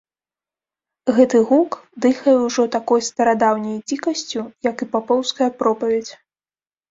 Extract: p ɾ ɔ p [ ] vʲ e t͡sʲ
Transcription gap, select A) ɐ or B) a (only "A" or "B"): A